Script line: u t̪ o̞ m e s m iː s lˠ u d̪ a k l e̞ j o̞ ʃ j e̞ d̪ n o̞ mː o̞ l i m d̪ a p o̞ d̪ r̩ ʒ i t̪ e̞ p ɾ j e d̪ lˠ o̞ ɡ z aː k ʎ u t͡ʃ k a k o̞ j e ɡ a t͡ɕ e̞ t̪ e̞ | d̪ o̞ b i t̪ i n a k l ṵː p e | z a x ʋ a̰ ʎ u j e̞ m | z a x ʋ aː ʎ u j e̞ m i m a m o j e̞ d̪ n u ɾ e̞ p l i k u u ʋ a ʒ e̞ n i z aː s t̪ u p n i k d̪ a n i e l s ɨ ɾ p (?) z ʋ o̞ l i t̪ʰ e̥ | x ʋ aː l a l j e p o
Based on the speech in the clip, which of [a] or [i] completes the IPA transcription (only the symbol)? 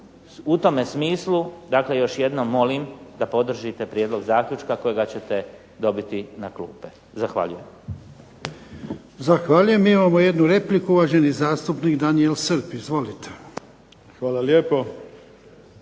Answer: i